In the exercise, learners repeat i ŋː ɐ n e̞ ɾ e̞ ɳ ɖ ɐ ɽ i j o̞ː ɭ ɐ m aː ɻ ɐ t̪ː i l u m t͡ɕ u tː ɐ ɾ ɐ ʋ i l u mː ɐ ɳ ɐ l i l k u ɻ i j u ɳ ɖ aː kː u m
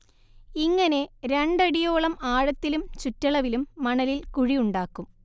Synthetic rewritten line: i ŋː ɐ n e̞ ɾ e̞ ɳ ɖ ɐ ɽ i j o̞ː ɭ ɐ m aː ɻ ɐ t̪ː i l u m t͡ɕ u tː ɐ ɭ ɐ ʋ i l u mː ɐ ɳ ɐ l i l k u ɻ i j u ɳ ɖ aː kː u m